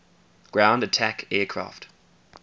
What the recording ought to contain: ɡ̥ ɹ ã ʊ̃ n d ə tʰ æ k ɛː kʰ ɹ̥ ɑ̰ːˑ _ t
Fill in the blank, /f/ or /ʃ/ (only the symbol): f